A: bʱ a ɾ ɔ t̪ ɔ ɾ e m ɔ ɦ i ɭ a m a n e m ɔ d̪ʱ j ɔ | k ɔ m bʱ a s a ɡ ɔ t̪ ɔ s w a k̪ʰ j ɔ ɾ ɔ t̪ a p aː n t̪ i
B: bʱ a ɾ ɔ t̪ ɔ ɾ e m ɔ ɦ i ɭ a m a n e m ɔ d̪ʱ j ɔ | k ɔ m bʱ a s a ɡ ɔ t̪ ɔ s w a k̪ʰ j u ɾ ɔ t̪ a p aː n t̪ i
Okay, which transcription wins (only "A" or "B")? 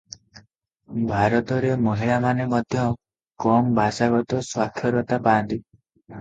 A